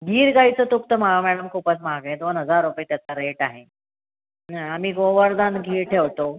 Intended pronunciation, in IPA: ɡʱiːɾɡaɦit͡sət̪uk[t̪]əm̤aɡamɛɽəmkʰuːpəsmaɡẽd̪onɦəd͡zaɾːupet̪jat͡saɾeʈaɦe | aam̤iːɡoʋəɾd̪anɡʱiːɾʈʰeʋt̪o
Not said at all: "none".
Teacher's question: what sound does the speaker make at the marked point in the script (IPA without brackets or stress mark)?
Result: t̪